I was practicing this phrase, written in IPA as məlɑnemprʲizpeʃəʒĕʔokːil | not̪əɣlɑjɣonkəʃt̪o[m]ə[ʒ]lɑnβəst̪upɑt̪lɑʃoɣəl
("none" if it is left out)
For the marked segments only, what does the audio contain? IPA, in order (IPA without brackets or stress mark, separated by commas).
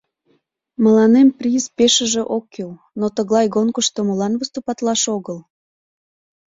m, none